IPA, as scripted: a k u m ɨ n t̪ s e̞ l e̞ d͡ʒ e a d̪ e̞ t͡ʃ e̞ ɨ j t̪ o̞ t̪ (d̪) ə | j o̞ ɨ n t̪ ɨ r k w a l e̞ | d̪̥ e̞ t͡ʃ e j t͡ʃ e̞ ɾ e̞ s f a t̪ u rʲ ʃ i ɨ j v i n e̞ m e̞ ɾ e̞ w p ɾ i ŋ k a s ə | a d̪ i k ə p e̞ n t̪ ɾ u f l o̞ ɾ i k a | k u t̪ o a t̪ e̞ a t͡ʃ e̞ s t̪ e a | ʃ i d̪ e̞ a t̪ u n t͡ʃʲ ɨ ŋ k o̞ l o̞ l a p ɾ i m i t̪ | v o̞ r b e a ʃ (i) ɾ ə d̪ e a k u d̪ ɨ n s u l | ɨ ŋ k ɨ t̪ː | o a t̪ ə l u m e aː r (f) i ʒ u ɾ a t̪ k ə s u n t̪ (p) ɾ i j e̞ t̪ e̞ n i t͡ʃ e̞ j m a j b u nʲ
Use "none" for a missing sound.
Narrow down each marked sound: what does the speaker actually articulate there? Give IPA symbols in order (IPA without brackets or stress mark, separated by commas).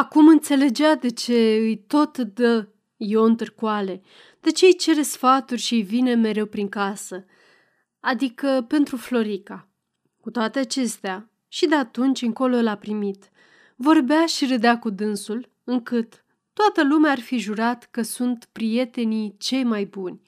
d̪, i, f, p